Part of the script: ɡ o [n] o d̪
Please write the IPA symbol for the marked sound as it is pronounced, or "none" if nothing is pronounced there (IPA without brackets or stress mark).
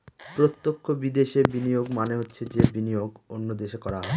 nː